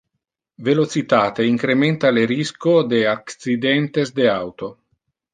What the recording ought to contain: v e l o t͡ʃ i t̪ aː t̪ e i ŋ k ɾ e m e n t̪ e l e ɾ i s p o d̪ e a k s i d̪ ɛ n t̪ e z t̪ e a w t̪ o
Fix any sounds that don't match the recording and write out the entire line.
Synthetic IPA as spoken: v e l o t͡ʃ i t̪ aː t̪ e i ŋ k ɾ e m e n t̪ a l e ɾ i s k o d̪ e a k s i d̪ ɛ n t̪ e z d̪ e a w t̪ o